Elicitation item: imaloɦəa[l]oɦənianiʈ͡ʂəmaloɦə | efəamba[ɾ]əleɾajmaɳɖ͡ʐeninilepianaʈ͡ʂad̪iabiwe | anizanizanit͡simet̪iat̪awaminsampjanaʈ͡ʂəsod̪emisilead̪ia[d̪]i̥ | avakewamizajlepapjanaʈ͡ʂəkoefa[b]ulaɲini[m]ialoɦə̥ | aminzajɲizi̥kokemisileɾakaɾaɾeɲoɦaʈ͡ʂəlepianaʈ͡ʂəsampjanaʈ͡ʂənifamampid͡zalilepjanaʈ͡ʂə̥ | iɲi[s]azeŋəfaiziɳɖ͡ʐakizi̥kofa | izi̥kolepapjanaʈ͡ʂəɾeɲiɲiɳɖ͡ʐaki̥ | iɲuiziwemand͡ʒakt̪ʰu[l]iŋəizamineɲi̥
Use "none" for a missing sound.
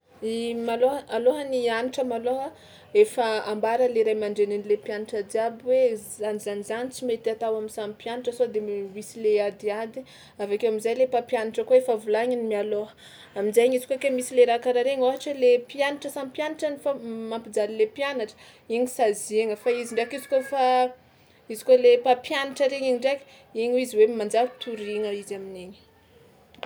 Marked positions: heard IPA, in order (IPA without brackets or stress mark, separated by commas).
l, ɾ, d̪, v, m, s, ɾ